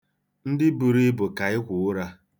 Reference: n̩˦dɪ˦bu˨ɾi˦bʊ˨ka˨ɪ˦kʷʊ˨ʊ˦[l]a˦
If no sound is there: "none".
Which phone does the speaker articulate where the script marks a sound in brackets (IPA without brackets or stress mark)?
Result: ɾ